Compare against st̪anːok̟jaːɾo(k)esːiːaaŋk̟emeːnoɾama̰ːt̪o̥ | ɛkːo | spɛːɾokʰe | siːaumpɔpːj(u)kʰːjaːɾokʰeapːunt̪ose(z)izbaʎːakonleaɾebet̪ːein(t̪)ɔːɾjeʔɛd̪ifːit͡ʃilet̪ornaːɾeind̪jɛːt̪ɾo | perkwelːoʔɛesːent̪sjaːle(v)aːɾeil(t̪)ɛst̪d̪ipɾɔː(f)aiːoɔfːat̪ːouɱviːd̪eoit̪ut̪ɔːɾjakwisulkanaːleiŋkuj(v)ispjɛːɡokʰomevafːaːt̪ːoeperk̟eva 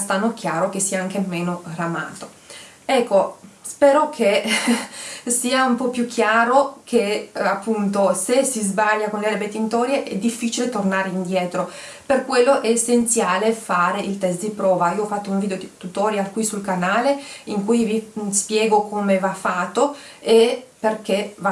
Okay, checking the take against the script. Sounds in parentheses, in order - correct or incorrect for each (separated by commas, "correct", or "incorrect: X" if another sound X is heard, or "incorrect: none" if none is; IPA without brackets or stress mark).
correct, correct, incorrect: s, correct, incorrect: f, correct, incorrect: v, correct